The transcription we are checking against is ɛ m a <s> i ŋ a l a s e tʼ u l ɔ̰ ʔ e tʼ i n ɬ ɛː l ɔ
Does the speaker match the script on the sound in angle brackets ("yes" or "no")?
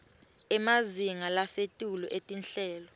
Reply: no